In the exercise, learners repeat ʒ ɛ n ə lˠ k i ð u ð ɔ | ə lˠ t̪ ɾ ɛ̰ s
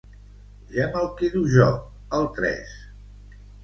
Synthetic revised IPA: ʒ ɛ m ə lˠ k i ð u ʒ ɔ | ə lˠ t̪ ɾ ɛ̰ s